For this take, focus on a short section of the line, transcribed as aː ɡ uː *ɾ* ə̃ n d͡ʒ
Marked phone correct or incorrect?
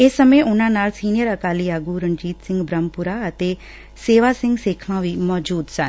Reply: correct